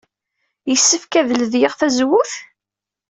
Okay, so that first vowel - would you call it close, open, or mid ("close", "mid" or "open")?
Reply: mid